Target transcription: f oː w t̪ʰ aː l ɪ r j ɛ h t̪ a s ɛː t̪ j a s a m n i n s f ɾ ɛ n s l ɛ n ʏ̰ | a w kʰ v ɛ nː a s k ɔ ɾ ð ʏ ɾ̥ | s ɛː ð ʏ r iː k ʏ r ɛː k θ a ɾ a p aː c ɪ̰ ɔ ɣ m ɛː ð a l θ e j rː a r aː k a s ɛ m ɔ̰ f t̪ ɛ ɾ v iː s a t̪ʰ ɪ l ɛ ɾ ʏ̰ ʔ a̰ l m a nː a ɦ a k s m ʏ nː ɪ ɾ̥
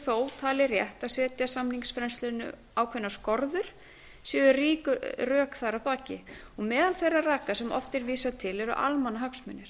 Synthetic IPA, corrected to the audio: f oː w t̪ʰ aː l ɪ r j ɛ h t̪ a s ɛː t̪ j a s a m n i ŋ s f ɾ ɛ n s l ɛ n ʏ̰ | a w kʰ v ɛ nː a s k ɔ ɾ ð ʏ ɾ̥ | s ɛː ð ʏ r iː k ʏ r œː k θ a ɾ a p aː c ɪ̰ ɔ ɣ m ɛː ð a l θ e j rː a r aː k a s ɛ m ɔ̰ f t̪ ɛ ɾ v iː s a t̪ʰ ɪ l ɛ ɾ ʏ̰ ʔ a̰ l m a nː a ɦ a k s m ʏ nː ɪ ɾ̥